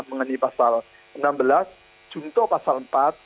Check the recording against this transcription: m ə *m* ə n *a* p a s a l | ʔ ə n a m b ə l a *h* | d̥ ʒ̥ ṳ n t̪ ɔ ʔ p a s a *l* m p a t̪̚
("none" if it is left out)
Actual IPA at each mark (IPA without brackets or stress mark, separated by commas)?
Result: ŋ, i, s, l